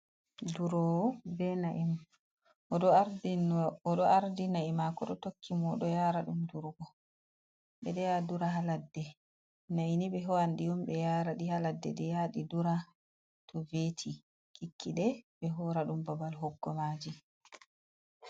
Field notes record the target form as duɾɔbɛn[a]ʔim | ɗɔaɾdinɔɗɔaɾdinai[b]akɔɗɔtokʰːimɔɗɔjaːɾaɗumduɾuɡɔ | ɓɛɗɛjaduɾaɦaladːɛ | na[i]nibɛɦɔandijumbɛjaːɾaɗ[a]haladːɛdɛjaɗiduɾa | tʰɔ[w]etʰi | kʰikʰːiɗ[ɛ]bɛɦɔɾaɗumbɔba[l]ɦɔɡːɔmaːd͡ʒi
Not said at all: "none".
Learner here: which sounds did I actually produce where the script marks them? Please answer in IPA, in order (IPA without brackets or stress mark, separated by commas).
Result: a, m, i, i, v, ɛ, l